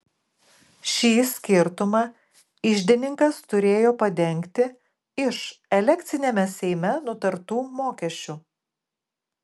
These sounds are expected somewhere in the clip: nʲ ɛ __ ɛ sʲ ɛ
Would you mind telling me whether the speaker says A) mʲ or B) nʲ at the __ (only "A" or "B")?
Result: A